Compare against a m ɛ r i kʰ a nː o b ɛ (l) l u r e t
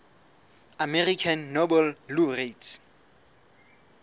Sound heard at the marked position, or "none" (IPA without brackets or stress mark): l